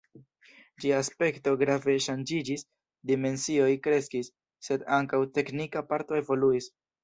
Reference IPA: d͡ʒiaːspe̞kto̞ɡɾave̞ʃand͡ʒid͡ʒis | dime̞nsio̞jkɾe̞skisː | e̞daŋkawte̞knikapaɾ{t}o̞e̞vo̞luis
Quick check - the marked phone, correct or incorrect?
correct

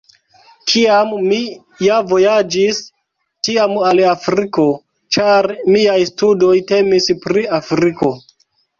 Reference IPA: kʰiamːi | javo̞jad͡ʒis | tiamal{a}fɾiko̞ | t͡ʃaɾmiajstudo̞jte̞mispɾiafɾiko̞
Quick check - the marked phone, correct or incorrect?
correct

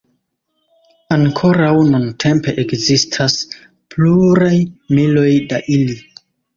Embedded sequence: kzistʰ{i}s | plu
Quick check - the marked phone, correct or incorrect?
incorrect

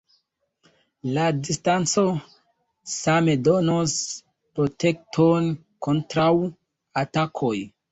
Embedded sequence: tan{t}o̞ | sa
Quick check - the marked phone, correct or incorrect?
incorrect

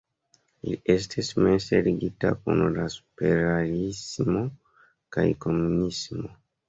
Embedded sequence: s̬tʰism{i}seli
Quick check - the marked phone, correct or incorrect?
incorrect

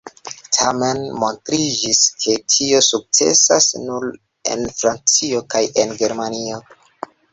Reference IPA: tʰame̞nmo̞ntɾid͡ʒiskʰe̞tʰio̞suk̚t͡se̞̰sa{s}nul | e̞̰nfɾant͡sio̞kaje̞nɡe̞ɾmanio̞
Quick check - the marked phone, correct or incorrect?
correct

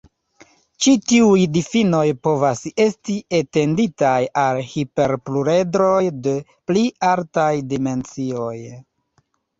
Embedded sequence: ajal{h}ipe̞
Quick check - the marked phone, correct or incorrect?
correct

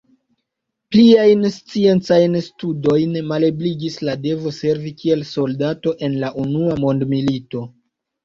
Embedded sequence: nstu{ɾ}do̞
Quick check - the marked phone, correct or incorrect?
incorrect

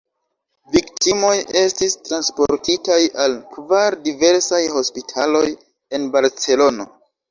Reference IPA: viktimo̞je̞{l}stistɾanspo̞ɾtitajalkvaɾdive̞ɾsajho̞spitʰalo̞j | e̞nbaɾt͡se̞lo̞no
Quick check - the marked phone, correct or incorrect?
incorrect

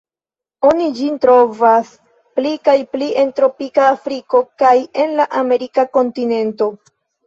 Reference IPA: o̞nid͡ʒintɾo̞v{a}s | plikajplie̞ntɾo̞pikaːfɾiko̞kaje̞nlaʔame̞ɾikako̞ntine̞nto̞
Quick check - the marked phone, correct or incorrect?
correct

